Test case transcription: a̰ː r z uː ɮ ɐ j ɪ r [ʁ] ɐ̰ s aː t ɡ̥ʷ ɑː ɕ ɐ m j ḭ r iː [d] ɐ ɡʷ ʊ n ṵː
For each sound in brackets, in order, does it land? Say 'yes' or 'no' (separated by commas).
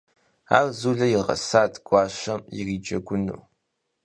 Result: yes, no